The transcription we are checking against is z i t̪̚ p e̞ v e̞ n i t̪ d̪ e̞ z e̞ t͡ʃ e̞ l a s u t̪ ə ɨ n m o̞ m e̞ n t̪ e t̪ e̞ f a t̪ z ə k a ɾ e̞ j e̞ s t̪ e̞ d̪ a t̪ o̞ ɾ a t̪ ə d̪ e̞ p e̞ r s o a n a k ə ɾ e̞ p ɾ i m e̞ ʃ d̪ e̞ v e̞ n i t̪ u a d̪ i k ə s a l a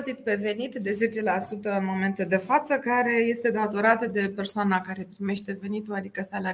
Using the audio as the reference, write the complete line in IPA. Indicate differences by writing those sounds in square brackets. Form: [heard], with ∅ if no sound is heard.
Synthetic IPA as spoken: z i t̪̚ p e̞ v e̞ n i t̪ d̪ e̞ z e̞ t͡ʃ e̞ l a s u t̪ ə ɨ n m o̞ m e̞ n t̪ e [d̪] e̞ f a t̪ [s] ə k a ɾ e̞ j e̞ s t̪ e̞ d̪ a t̪ o̞ ɾ a t̪ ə d̪ e̞ p e̞ r s o a n a k [a] ɾ e̞ p ɾ i m e̞ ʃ [t̪] e̞ v e̞ n i t̪ u a d̪ i k ə s a l a